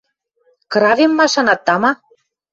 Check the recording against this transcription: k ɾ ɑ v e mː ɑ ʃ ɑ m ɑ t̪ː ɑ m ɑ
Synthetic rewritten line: k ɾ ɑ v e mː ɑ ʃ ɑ n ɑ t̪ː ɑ m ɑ